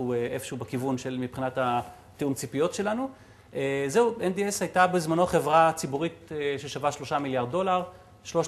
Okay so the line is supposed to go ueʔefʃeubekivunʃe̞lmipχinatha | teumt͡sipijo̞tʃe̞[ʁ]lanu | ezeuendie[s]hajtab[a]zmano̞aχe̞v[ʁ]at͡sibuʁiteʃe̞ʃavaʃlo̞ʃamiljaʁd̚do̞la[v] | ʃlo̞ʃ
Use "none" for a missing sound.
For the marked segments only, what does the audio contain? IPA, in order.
none, s, e, ʁ, ʁ

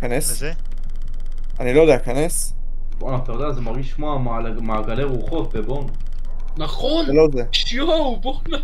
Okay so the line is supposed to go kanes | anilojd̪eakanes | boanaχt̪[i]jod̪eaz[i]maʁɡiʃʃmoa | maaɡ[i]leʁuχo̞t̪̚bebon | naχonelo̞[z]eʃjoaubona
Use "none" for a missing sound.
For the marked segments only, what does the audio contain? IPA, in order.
a, e, a, z

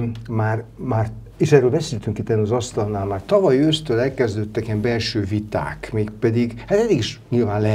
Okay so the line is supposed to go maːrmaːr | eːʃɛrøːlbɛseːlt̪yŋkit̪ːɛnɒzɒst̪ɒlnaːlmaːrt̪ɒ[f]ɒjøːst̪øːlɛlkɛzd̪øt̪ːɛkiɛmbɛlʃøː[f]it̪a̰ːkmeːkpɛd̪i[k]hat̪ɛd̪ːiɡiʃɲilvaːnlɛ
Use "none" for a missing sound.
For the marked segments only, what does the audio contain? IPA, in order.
v, v, ɡ

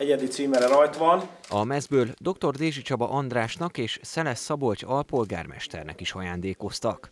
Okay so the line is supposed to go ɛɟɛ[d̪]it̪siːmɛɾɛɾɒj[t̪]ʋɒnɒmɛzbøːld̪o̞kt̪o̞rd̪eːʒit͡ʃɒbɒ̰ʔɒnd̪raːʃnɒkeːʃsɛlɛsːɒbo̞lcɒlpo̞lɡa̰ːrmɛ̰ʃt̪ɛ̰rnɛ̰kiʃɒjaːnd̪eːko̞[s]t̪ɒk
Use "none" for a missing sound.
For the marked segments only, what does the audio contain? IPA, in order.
d̪, t̪, s

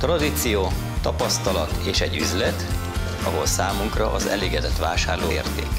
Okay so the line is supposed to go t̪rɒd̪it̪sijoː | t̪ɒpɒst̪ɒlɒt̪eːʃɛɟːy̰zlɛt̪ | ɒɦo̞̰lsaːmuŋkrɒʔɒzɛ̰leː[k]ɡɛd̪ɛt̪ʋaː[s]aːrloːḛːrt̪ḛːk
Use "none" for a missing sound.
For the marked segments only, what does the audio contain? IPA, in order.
none, ʃ

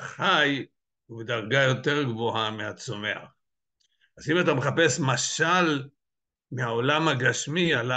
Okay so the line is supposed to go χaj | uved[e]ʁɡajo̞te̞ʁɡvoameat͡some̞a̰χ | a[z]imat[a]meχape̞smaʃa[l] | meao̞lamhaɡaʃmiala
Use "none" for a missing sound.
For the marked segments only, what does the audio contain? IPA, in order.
a, z, a, l

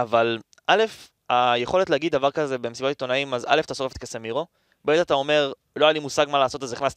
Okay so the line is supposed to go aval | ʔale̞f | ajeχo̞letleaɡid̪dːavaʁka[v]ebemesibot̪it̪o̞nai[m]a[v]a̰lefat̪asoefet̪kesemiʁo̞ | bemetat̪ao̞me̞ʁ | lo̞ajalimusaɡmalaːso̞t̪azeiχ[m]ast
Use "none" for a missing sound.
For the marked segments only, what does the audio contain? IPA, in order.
z, m, z, n

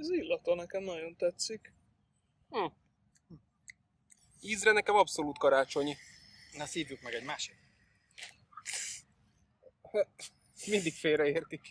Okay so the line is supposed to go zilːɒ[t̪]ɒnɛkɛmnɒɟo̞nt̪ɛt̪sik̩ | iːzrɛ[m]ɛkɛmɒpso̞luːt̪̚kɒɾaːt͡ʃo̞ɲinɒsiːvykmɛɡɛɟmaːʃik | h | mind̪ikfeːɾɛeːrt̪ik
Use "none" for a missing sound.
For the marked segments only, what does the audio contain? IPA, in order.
t̪, n

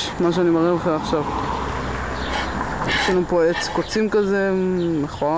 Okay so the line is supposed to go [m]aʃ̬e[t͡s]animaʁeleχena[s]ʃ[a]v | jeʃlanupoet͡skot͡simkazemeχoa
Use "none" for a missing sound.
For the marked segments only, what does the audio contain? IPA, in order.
m, none, χ, a

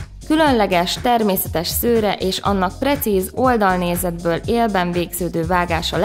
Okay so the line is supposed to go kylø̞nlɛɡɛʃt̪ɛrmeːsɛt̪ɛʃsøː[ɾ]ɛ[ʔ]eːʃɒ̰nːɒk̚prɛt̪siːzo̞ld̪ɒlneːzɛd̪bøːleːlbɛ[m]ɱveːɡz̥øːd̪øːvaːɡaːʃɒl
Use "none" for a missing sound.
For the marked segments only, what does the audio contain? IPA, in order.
ɾ, ʔ, none

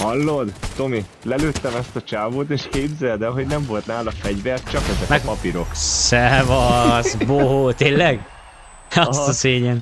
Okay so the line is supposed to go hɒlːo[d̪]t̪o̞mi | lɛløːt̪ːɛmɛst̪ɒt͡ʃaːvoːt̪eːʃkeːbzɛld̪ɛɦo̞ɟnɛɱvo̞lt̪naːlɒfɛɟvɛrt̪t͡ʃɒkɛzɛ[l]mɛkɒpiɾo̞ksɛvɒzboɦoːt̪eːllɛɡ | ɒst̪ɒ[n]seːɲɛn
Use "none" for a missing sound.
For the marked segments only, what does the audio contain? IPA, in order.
d̪, none, none

